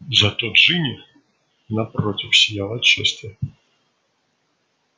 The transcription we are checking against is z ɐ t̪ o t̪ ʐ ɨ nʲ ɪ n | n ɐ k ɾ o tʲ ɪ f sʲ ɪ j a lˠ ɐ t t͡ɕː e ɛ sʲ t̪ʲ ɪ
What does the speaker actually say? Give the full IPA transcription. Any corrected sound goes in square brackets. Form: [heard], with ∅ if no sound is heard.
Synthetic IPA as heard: z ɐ t̪ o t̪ ʐ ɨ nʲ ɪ [∅] | n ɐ [p] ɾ o tʲ ɪ f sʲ ɪ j a lˠ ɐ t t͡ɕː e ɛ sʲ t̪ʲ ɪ